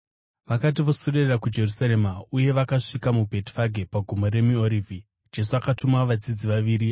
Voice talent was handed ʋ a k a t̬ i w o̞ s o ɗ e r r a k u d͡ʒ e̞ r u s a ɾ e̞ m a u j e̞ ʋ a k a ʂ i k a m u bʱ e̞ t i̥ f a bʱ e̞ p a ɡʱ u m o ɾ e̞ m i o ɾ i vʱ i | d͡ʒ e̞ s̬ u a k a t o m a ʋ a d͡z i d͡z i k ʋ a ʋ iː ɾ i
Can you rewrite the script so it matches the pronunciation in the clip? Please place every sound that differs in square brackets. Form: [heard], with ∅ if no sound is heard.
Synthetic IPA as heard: ʋ a k a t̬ i [ʋ] o̞ s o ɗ e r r a k u d͡ʒ e̞ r u s a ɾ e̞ m a u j e̞ ʋ a k a ʂ i k a m u bʱ e̞ t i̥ f a [ɡʱ] e̞ p a ɡʱ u m o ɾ e̞ m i o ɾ i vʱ i | d͡ʒ e̞ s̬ u a k a t [u] m a ʋ a d͡z i d͡z i [∅] ʋ a ʋ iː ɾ i